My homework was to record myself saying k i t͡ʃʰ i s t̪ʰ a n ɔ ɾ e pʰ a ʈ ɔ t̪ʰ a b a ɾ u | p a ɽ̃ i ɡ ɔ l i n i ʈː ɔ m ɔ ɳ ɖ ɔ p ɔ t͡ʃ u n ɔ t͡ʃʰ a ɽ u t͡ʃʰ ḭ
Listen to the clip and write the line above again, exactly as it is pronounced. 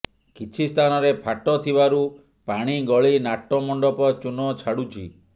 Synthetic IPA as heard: k i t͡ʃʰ i s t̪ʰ a n ɔ ɾ e pʰ a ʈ ɔ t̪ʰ i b a ɾ u | p a ɽ̃ i ɡ ɔ ɭ i n a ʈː ɔ m ɔ ɳ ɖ ɔ p ɔ t͡ʃ u n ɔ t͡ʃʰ a ɽ u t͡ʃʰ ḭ